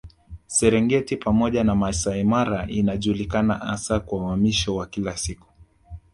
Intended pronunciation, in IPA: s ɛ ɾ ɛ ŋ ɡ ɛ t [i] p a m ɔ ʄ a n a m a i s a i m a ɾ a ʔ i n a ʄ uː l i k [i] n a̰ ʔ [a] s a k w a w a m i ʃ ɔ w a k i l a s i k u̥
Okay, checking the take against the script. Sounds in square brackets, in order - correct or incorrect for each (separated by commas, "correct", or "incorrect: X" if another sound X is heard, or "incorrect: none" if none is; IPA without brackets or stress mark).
correct, incorrect: a, correct